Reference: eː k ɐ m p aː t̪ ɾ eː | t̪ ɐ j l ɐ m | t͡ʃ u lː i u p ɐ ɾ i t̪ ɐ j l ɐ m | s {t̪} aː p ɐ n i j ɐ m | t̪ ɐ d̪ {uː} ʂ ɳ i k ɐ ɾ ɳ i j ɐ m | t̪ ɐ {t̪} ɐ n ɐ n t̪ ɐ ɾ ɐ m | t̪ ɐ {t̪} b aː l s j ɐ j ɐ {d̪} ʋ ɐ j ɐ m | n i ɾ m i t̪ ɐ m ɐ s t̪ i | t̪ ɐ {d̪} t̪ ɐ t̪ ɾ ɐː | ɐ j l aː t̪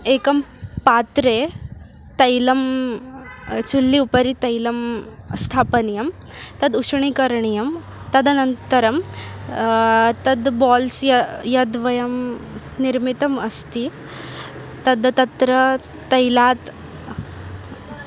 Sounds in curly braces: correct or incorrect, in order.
incorrect, incorrect, incorrect, incorrect, correct, correct

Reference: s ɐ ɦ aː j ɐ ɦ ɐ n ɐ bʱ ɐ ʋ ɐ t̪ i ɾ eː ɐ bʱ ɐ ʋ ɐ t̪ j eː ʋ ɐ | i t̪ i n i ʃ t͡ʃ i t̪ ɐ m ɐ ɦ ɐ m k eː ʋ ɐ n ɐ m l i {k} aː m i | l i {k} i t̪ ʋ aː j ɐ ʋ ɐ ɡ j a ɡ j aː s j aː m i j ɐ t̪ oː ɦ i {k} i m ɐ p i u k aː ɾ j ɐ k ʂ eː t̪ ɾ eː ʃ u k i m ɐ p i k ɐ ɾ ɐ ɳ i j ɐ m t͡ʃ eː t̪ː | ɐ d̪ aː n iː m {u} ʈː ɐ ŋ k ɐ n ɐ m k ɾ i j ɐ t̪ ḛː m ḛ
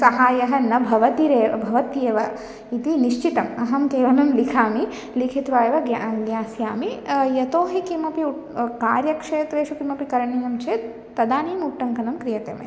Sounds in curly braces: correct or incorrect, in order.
incorrect, incorrect, correct, correct

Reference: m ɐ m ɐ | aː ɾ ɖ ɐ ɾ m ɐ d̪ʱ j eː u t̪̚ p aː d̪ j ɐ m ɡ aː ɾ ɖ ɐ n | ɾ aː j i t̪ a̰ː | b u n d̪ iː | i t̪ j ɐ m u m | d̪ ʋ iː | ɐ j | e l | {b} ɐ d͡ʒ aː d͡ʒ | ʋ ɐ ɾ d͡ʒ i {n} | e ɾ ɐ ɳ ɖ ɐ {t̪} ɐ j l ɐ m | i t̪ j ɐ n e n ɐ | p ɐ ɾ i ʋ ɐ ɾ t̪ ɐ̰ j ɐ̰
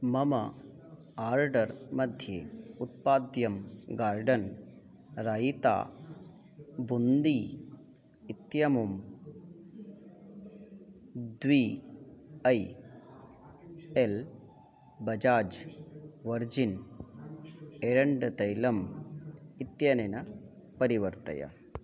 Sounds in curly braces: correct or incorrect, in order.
correct, correct, correct

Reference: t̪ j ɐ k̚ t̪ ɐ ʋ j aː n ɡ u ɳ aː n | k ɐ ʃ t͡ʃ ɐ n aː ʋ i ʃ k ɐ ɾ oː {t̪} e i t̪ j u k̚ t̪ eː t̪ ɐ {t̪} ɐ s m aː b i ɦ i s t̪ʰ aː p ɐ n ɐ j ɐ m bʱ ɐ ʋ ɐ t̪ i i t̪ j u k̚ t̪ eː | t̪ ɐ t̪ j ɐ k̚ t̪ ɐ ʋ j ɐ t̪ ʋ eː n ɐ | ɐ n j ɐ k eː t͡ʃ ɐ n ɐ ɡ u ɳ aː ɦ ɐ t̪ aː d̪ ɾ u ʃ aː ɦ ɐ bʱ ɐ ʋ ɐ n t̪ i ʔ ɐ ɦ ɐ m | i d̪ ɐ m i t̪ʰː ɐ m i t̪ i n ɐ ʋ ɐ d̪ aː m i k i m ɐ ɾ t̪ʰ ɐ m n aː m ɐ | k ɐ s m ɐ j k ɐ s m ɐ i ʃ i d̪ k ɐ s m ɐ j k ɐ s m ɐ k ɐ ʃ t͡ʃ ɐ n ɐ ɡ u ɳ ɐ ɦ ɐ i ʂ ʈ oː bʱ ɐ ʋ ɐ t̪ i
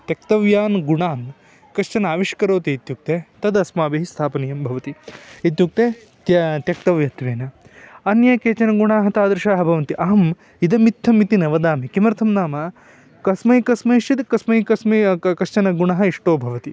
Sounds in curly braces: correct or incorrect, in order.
correct, incorrect

